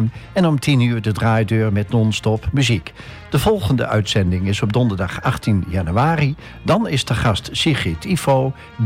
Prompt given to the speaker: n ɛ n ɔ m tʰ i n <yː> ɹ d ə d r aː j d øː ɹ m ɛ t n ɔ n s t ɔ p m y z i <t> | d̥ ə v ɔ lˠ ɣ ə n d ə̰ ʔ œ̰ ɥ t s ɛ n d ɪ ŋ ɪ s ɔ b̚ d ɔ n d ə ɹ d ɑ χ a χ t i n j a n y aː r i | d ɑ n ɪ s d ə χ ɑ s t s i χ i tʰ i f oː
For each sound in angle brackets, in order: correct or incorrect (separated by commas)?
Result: correct, incorrect